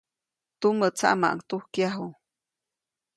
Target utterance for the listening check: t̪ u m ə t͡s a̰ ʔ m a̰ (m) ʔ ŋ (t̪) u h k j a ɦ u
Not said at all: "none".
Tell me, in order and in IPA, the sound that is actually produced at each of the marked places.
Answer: none, t̪

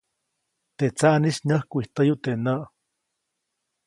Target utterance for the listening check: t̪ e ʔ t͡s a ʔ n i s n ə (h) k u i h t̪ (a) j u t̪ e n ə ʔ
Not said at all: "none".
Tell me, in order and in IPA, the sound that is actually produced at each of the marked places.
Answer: h, ə

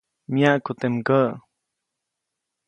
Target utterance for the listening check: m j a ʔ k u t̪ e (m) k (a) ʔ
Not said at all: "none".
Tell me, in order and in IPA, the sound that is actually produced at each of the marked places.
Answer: m, ə

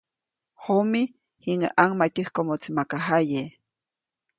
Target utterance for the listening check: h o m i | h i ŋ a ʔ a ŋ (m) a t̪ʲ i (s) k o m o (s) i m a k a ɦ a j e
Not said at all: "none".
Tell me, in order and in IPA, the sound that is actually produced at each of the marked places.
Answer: m, h, t͡s

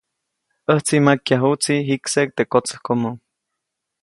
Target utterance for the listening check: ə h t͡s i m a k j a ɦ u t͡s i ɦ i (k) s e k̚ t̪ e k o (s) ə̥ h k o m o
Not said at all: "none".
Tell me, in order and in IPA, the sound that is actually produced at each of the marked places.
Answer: k, t͡s

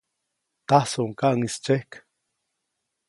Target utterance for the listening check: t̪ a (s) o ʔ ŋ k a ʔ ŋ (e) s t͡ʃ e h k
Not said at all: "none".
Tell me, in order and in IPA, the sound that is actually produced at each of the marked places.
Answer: s, i

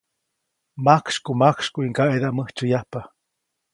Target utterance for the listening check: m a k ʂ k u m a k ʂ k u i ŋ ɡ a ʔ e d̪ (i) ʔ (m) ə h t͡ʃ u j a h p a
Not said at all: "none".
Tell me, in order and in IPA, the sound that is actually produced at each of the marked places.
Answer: a, m

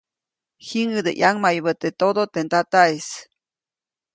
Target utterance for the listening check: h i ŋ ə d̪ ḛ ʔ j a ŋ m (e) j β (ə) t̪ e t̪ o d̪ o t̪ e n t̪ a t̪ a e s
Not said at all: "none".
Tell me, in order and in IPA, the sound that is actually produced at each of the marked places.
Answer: a, ə

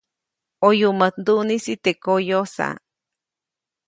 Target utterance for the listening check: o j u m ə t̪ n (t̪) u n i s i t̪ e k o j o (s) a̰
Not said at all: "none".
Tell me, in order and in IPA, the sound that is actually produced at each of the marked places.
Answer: d̪, s

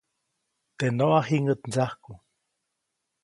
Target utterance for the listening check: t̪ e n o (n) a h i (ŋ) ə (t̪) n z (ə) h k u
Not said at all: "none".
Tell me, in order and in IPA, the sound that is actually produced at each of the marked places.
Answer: none, ŋ, t̪, a

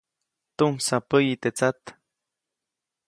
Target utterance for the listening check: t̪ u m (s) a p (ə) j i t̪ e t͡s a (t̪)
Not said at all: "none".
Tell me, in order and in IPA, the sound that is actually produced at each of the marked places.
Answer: s, ə, t̪

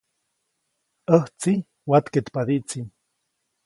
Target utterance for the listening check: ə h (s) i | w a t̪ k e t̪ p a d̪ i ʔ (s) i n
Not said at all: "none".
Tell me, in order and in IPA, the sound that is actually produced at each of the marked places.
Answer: t͡s, t͡s

